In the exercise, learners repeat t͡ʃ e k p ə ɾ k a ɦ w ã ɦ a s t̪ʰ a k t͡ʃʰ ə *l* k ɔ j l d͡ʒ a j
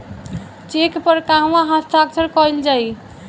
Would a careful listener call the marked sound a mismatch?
yes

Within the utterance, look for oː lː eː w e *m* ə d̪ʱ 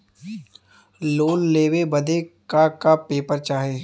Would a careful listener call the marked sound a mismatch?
yes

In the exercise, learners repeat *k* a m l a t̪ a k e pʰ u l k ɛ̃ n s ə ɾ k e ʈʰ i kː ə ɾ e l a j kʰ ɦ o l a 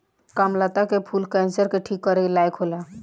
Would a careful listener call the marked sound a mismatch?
no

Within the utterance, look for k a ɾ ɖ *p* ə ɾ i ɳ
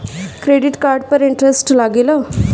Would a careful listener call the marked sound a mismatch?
no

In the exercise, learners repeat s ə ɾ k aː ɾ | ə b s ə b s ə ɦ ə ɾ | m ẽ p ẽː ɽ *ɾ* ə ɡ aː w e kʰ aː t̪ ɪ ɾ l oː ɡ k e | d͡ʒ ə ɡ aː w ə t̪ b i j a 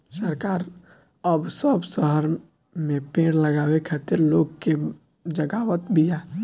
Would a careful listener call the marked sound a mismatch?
yes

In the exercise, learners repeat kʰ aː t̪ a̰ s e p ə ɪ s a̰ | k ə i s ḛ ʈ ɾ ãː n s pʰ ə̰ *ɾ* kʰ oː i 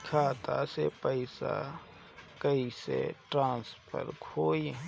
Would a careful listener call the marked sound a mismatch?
no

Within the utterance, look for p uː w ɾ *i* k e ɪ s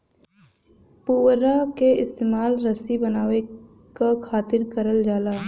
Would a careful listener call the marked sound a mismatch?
yes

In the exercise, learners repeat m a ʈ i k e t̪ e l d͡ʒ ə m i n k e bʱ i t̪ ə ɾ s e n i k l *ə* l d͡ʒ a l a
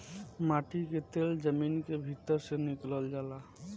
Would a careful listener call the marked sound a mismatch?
no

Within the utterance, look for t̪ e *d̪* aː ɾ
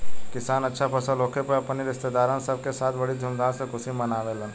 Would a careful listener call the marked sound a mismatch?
no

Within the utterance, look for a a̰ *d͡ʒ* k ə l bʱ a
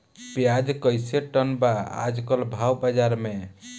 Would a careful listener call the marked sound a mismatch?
no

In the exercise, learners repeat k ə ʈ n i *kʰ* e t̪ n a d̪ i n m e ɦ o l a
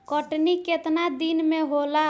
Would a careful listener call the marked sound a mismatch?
yes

